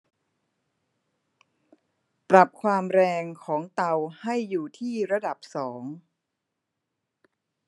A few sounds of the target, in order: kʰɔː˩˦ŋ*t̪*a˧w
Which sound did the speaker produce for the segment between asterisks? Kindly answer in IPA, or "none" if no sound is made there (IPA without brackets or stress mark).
t̪